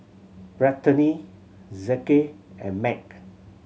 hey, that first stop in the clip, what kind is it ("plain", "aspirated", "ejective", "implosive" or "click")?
plain